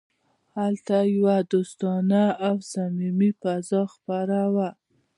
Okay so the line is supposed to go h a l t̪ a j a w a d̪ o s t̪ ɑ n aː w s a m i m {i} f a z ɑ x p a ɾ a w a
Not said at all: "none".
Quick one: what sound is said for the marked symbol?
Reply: i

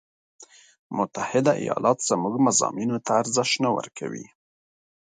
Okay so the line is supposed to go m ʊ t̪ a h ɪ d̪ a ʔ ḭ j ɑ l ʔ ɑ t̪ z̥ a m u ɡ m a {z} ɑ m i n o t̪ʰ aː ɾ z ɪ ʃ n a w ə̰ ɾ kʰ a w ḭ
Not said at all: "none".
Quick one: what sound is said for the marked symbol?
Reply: z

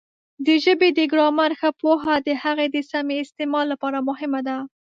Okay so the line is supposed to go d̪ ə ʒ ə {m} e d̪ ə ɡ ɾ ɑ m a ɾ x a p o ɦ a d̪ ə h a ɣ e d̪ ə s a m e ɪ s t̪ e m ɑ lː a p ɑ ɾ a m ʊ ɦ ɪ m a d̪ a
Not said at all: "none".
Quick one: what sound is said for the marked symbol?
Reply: b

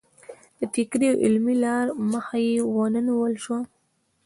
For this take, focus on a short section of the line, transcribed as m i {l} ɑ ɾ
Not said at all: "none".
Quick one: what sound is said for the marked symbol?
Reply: l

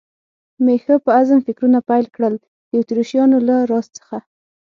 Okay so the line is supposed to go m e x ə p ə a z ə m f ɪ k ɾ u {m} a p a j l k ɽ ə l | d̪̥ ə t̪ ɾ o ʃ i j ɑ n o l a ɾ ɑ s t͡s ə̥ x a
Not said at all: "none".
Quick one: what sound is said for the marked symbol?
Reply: n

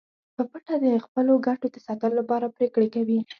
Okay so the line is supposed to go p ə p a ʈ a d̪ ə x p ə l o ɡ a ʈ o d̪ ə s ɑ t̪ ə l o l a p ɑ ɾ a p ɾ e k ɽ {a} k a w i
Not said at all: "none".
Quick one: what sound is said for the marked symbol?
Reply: e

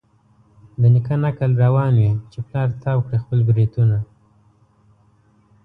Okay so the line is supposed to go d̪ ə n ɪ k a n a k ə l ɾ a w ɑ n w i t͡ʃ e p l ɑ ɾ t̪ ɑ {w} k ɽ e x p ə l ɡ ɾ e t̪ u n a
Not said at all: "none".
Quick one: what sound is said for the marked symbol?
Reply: w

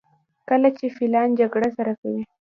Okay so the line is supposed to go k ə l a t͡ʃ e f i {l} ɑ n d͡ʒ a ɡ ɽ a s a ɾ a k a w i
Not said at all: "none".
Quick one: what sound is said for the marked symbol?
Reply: l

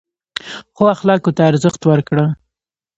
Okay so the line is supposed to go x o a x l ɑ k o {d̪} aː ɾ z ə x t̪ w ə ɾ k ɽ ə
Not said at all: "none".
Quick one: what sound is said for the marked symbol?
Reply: t̪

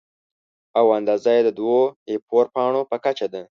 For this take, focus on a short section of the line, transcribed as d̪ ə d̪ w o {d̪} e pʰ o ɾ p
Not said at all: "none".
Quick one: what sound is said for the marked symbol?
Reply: none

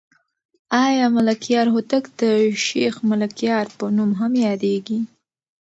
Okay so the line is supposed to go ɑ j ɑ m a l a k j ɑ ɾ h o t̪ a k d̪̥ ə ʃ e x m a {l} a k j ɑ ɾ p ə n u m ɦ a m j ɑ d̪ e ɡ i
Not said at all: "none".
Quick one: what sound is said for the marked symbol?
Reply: l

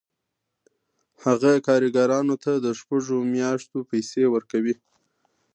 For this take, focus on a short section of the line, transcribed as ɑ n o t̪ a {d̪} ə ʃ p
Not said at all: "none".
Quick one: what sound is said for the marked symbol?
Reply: d̪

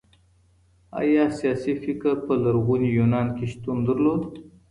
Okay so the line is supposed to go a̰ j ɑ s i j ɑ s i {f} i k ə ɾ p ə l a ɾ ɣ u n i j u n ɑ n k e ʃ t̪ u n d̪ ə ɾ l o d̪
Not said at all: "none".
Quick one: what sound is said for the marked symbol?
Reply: f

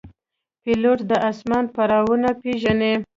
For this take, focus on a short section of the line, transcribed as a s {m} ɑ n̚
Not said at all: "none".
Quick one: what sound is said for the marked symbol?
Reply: m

